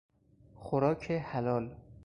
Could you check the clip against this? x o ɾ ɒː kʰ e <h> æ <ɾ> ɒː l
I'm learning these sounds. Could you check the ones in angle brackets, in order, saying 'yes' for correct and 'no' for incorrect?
yes, no

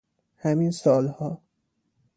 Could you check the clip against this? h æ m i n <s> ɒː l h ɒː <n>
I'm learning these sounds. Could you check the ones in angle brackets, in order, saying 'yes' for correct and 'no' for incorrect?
yes, no

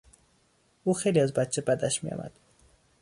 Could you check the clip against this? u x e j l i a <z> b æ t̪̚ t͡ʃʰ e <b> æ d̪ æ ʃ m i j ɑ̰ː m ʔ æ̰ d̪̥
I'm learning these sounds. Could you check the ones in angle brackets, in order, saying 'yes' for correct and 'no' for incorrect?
yes, yes

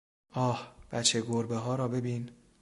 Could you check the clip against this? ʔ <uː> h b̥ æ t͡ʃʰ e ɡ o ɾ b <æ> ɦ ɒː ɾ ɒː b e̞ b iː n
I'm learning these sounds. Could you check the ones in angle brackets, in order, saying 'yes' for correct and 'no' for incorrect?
no, no

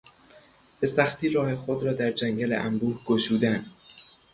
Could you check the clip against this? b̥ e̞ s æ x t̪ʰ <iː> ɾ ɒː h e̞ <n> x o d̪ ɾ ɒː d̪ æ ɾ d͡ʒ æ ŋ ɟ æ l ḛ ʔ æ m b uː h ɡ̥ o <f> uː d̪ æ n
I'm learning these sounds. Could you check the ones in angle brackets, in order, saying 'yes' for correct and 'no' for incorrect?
yes, no, no

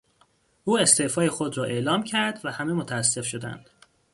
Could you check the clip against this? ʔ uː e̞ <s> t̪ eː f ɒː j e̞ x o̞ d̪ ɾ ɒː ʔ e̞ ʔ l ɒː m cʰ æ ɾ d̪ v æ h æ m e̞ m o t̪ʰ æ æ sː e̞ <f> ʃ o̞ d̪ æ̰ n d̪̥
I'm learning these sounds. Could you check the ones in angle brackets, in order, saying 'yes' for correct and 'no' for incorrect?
yes, yes

